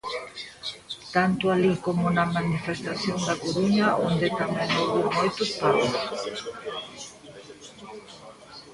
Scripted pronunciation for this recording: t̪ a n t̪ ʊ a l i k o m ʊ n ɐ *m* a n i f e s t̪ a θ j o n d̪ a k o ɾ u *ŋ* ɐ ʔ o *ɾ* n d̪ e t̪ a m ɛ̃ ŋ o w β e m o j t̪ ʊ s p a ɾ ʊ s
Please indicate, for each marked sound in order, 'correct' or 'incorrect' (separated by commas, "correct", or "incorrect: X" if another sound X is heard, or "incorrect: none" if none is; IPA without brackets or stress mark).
correct, incorrect: ɲ, incorrect: none